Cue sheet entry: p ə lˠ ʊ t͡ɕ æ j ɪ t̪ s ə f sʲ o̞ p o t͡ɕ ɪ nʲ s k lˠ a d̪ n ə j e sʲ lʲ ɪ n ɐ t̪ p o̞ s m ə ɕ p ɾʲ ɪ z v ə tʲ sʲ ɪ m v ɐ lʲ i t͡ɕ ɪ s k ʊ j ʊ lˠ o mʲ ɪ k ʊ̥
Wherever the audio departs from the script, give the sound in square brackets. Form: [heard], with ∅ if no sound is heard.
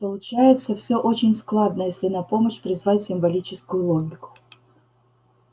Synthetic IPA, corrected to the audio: p ə lˠ ʊ t͡ɕ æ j ɪ t̪ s ə f sʲ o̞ [ʔ] o t͡ɕ ɪ nʲ s k lˠ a d̪ n ə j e sʲ lʲ ɪ n ɐ [∅] p o̞ [∅] m ə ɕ p ɾʲ ɪ z v [a] tʲ sʲ ɪ m v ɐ lʲ i t͡ɕ ɪ s k ʊ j ʊ lˠ o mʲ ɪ k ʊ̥